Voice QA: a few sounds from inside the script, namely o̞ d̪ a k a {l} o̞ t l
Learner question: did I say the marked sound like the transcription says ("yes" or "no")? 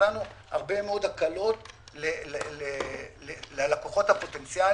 yes